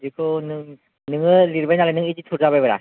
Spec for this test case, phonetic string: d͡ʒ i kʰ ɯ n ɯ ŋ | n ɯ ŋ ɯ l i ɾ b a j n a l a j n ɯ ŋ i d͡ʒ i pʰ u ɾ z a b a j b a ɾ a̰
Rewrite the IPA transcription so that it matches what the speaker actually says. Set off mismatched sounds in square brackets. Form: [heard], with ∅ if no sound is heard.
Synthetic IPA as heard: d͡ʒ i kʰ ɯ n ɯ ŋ | n ɯ ŋ ɯ l i ɾ b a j n a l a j n ɯ ŋ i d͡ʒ i [tʰ] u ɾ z a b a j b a ɾ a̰